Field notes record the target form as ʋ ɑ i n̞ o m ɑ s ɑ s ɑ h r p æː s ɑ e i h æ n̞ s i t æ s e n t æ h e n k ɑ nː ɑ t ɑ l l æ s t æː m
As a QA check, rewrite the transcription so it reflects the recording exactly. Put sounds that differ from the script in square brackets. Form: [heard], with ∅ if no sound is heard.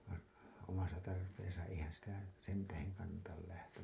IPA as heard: ʋ ɑ i n̞ o m ɑ s ɑ [t] ɑ [∅] r p [eː] s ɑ e i h æ n̞ s i t æ s e n t æ h e [ŋ] k ɑ nː ɑ t ɑ l l æ [h] t [æ] m